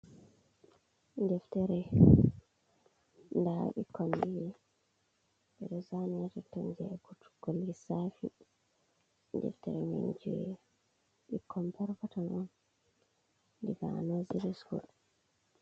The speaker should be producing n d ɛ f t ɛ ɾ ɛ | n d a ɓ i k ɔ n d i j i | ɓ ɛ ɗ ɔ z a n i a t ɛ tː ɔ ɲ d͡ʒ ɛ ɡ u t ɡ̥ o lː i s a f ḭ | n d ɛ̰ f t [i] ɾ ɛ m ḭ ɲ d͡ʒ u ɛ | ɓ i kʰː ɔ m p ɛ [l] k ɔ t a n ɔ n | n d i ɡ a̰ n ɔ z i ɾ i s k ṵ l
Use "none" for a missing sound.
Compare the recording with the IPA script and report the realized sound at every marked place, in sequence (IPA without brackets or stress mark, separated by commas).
ɛ, ɾ